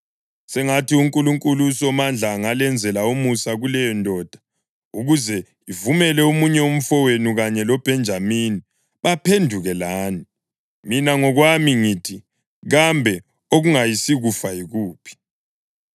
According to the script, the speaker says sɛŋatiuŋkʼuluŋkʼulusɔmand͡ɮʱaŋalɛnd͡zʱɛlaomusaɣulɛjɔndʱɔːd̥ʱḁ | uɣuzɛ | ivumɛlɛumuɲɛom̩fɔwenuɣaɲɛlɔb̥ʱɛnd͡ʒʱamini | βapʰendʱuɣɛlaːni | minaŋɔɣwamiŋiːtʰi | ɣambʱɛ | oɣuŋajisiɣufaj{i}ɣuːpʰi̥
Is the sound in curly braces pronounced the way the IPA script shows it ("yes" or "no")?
yes